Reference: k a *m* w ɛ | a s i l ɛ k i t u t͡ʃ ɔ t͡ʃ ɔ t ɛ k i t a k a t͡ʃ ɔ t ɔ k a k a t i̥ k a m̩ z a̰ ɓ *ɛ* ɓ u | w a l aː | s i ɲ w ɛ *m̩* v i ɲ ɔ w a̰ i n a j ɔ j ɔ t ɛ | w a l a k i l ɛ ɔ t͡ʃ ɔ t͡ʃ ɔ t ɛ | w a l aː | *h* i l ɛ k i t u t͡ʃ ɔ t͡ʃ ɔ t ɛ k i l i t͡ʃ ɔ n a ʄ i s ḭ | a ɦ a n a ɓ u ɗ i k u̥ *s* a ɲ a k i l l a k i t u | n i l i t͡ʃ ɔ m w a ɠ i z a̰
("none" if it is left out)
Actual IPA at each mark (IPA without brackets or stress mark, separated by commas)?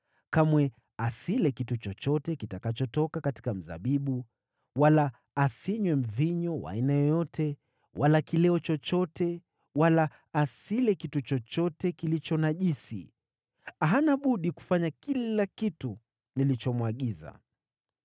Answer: m, i, m̩, s, f